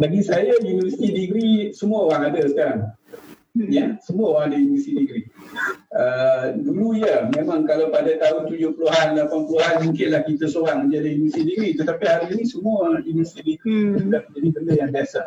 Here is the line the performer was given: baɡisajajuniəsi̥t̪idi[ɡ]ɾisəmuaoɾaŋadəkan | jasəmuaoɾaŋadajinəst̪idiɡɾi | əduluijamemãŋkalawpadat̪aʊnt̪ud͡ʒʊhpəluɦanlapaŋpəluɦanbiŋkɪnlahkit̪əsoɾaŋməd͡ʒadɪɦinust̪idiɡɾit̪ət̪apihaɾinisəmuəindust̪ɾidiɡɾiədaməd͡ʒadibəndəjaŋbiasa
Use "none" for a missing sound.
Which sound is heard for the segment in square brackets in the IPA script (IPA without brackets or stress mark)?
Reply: ɡ